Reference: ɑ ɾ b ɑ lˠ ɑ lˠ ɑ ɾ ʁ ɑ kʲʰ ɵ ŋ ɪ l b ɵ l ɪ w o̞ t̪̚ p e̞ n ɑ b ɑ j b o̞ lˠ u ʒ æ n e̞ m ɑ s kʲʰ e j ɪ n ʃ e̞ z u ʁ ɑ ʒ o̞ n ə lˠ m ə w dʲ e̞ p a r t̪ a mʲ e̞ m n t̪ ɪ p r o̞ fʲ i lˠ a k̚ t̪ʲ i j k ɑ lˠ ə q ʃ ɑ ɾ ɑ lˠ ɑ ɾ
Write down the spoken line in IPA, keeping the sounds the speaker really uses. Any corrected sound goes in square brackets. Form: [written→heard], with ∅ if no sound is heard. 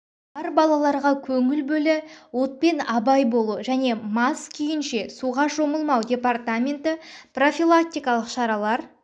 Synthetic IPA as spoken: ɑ ɾ b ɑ lˠ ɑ lˠ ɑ ɾ ʁ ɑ kʲʰ ɵ ŋ ɪ l b ɵ l ɪ w o̞ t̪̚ p e̞ n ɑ b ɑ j b o̞ lˠ u ʒ æ n e̞ m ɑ s kʲʰ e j ɪ n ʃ e̞ [z→s] u ʁ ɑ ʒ o̞ [n→m] ə lˠ m [ə→ɑ] w dʲ e̞ p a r t̪ a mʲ e̞ [m→∅] n t̪ ɪ p r o̞ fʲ i lˠ a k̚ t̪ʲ i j k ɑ lˠ ə q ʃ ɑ ɾ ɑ lˠ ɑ ɾ